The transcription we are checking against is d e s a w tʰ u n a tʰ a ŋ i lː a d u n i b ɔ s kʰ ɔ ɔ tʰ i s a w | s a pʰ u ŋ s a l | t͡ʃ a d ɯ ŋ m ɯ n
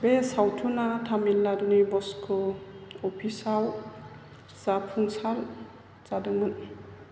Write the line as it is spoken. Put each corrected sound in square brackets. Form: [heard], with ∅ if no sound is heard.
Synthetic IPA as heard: [b] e s a w tʰ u n a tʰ a [m] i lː a d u n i b ɔ s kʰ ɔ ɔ [pʰ] i s a w | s a pʰ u ŋ s a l | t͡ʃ a d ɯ ŋ m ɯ n